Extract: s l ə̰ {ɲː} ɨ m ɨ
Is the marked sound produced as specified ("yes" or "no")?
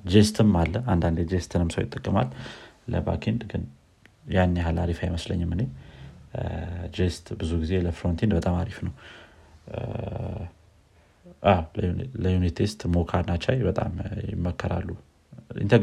yes